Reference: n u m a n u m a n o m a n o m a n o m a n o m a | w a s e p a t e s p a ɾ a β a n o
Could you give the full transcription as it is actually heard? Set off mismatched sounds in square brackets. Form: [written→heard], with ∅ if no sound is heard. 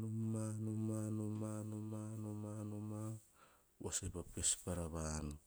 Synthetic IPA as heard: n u m a n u m a n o m a n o m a n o m a n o m a | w a s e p a [t→p] e s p a ɾ a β a n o